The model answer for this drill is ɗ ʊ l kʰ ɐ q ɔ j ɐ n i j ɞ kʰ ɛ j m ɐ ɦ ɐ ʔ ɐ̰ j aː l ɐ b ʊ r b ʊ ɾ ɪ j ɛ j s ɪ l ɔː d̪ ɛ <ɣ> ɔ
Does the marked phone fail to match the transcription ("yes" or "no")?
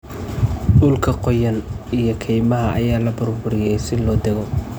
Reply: no